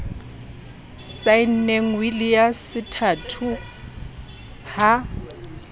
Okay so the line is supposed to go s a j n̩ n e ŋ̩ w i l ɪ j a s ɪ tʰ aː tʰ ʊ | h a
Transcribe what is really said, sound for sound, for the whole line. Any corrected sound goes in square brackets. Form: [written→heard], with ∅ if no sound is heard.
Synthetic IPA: s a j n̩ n e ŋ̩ w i l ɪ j a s ɪ tʰ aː tʰ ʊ | h a